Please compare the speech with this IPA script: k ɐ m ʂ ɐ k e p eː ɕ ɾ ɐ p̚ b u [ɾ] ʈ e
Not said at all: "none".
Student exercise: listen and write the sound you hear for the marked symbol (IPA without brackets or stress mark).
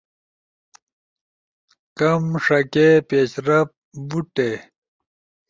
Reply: none